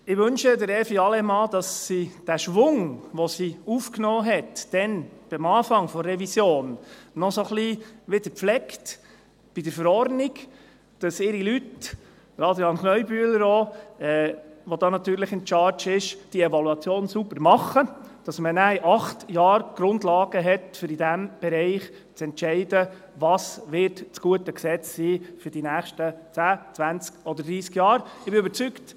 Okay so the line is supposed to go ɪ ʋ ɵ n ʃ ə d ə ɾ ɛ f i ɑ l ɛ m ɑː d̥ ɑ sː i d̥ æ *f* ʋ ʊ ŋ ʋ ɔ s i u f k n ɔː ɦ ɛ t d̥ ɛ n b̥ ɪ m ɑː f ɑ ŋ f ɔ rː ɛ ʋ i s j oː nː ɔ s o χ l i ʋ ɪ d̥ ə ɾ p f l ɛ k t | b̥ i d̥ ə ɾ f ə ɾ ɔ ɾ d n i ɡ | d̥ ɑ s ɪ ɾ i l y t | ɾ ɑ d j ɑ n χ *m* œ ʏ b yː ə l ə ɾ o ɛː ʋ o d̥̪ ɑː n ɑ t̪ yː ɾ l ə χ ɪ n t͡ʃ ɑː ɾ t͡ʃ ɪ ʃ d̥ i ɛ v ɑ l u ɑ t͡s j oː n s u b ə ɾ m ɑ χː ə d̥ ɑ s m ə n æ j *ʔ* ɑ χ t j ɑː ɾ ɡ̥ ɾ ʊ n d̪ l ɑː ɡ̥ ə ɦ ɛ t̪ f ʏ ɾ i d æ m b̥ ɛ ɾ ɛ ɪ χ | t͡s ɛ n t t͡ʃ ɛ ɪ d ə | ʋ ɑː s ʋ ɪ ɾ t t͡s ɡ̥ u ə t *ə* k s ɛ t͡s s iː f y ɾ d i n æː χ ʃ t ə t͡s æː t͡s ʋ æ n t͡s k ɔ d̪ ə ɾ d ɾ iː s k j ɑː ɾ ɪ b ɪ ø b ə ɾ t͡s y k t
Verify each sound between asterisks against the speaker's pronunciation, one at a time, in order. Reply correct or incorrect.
incorrect, incorrect, correct, correct

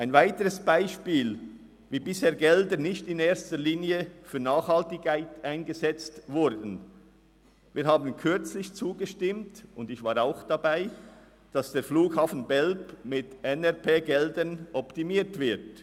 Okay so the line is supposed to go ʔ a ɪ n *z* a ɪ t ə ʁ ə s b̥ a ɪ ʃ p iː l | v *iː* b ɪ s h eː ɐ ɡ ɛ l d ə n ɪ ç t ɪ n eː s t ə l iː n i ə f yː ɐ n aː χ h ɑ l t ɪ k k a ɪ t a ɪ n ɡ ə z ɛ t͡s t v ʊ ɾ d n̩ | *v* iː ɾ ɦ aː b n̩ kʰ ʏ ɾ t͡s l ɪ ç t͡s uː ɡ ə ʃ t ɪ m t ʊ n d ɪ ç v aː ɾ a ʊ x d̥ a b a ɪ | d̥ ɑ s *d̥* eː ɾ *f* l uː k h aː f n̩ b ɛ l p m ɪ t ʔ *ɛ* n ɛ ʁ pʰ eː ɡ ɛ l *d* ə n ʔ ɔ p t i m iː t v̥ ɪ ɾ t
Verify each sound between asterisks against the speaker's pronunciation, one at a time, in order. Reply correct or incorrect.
incorrect, correct, correct, correct, correct, correct, correct

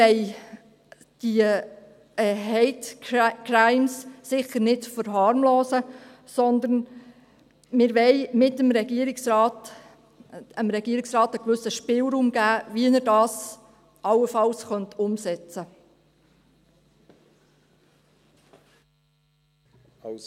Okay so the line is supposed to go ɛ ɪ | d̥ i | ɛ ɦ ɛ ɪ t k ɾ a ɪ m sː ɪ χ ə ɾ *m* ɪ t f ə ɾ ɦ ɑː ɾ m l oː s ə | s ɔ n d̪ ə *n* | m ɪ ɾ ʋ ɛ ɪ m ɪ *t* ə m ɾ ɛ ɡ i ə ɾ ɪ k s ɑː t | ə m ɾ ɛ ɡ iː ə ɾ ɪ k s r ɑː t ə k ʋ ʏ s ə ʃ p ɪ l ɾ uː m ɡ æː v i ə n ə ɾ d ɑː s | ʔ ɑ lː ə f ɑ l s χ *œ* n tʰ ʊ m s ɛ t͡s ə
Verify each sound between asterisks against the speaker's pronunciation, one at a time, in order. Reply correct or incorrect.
incorrect, correct, correct, correct

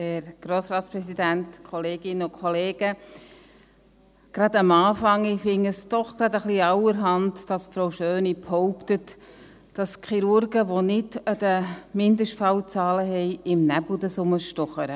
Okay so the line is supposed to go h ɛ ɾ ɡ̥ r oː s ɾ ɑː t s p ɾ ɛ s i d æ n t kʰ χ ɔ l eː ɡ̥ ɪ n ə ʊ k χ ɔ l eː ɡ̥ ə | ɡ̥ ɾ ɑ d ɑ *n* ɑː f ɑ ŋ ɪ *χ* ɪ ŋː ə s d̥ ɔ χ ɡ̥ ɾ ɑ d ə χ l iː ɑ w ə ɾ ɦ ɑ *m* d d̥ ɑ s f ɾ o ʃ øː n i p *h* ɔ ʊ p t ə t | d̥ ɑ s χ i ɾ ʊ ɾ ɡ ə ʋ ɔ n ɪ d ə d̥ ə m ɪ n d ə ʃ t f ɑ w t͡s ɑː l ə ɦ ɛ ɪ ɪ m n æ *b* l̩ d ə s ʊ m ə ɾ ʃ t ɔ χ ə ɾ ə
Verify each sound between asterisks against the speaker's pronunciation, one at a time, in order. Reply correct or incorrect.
incorrect, incorrect, incorrect, correct, correct

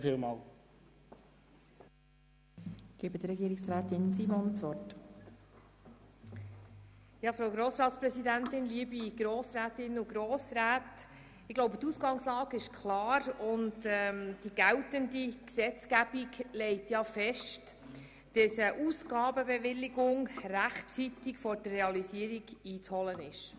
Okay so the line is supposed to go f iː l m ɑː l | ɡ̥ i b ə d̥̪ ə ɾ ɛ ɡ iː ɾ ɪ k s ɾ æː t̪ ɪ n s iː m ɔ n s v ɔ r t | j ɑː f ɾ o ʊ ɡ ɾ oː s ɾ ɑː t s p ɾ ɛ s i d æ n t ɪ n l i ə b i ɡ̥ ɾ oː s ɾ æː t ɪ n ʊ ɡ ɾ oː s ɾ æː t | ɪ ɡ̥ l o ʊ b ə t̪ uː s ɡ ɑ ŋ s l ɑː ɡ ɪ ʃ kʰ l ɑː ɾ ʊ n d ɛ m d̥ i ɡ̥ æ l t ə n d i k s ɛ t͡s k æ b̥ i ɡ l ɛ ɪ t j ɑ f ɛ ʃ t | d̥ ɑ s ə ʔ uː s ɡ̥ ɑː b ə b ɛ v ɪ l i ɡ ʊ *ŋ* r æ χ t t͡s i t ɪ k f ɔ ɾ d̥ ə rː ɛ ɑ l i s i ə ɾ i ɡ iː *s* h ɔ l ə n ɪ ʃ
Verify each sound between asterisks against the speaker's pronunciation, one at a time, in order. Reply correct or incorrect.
correct, incorrect

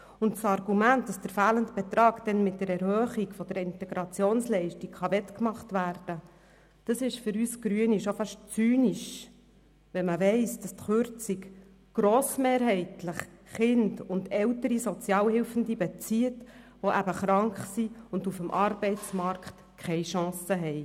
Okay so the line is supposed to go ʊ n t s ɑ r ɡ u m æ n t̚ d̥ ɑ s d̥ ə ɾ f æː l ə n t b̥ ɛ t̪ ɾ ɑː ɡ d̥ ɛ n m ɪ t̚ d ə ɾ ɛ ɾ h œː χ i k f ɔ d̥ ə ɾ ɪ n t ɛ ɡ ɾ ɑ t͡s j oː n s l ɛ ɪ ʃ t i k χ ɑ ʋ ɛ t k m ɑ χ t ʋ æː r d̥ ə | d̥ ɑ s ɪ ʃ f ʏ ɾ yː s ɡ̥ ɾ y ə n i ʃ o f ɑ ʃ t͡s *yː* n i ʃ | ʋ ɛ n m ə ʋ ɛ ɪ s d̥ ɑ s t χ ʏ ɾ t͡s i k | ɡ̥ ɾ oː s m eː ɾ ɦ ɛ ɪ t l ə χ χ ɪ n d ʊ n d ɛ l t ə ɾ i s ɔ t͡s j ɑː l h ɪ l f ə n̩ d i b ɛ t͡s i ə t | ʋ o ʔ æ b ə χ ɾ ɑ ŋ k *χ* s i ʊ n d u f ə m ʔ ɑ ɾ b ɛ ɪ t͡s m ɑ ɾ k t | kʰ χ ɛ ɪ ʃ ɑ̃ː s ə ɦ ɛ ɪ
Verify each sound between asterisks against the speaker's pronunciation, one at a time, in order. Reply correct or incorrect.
correct, correct

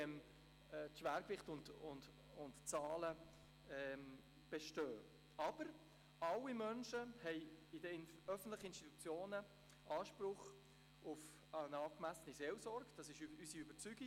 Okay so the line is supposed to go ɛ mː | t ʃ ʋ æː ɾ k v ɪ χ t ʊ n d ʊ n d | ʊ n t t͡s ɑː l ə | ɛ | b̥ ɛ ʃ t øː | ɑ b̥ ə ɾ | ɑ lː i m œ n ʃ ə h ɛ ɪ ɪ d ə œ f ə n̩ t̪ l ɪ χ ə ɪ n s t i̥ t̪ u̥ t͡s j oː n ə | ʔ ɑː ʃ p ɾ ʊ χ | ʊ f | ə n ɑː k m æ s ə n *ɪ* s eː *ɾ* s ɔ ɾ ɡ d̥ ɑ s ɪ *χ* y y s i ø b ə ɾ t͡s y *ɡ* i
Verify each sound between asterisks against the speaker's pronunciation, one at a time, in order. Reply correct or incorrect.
incorrect, incorrect, incorrect, correct

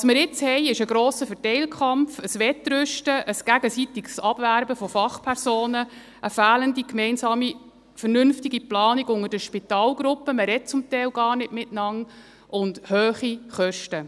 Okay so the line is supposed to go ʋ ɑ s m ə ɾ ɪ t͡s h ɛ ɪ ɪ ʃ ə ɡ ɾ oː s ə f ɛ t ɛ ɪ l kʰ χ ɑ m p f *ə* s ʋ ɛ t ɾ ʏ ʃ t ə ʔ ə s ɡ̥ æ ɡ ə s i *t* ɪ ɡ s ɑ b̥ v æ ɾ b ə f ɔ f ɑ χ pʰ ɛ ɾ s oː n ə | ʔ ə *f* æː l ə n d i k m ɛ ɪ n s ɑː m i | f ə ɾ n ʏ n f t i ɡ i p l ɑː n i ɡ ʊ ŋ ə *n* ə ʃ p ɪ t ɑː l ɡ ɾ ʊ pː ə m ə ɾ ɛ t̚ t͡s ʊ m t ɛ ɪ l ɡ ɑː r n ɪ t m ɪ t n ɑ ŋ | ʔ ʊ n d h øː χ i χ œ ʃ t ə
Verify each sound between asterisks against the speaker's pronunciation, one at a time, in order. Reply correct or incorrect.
correct, correct, correct, incorrect

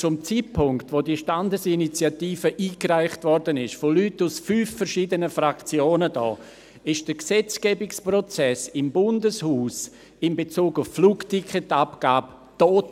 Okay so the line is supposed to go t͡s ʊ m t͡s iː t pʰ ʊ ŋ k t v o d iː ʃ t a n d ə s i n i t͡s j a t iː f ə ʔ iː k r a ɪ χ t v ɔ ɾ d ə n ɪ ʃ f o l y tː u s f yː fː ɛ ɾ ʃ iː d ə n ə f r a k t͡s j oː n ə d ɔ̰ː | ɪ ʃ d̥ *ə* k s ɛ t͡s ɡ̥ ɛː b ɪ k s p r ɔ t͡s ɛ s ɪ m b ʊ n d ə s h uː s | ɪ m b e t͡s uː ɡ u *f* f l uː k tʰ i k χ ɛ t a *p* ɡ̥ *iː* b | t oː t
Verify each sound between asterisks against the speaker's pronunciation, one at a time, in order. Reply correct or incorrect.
correct, correct, correct, incorrect

